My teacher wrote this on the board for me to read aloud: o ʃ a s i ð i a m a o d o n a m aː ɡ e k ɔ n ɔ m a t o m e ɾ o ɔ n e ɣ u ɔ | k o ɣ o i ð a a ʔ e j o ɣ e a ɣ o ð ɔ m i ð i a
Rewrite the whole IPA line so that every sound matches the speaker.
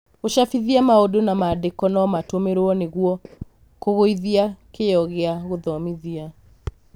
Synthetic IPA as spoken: o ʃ a f i ð i a m a o d o n a m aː d e k ɔ n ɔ m a t o m e ɾ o ɔ n e ɣ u ɔ | k o ɣ o i ð i a k e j ɔ ɣ e a ɣ o ð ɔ m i ð i a